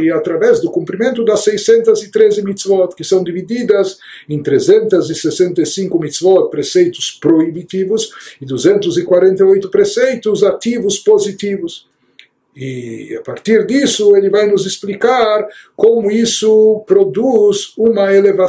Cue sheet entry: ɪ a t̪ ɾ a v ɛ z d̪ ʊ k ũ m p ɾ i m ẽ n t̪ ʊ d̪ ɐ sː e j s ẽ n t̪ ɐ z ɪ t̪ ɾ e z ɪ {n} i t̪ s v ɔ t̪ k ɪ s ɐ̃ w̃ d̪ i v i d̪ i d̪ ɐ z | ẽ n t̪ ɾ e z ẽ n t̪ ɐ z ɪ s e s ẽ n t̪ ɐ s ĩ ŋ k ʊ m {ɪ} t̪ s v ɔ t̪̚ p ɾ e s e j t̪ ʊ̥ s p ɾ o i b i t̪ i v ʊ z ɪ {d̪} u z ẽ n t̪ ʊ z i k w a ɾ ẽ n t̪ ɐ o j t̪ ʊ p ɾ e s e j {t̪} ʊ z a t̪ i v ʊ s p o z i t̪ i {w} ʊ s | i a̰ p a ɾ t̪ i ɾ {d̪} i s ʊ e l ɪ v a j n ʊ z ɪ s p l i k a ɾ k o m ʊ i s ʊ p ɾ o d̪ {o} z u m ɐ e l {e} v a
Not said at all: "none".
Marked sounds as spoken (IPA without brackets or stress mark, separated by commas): m, i, d̪, t̪, v, d̪, u, e